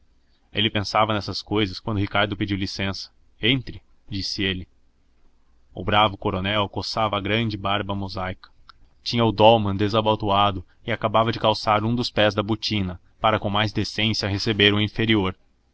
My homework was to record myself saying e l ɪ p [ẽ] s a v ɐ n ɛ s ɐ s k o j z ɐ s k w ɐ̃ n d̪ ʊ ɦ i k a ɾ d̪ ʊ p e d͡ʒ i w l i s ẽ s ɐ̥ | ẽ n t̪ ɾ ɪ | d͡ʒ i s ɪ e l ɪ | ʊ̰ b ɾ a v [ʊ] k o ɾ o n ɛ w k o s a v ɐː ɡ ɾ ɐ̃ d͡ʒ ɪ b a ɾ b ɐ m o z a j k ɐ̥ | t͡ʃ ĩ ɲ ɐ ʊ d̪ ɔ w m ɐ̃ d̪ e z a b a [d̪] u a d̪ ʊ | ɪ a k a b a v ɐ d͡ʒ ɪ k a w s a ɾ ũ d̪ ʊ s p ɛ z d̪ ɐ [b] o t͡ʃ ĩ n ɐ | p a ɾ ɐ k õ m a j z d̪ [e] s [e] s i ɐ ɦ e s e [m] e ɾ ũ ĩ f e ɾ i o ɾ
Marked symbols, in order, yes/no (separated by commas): yes, yes, no, yes, yes, no, no